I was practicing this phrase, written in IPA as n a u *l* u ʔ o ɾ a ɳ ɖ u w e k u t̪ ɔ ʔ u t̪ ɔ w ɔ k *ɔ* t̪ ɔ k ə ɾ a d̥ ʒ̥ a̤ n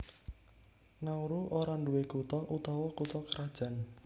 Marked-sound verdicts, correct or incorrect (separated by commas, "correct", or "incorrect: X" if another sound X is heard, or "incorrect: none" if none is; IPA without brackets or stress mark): incorrect: ɾ, incorrect: u